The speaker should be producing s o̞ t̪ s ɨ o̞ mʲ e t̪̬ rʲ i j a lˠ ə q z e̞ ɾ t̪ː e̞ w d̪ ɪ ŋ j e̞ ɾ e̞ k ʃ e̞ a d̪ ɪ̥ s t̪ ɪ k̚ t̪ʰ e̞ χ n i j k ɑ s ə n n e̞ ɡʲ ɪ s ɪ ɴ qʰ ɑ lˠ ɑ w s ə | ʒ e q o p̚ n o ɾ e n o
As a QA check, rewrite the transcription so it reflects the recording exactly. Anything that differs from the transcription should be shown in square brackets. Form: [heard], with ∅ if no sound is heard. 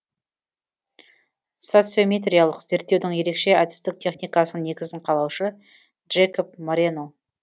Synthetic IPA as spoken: s o̞ t̪ s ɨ o̞ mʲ e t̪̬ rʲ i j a lˠ ə q z e̞ ɾ t̪ː e̞ w d̪ ɪ ŋ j e̞ ɾ e̞ k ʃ e̞ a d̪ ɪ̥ s t̪ ɪ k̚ t̪ʰ e̞ χ n i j k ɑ s ə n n e̞ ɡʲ ɪ [z] ɪ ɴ qʰ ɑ lˠ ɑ w [ʃ] ə | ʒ e [k] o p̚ [m] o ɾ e n o